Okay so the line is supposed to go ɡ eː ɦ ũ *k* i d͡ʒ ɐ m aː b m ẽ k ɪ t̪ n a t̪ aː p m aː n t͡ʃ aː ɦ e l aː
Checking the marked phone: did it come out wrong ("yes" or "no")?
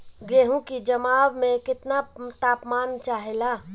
no